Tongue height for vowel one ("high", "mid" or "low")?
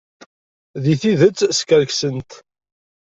high